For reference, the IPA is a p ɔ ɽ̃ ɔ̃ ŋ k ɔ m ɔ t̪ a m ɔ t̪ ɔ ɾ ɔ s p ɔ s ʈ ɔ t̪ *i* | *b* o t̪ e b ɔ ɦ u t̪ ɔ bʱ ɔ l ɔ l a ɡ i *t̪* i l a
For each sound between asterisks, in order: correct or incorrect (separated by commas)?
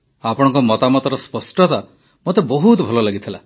incorrect, incorrect, incorrect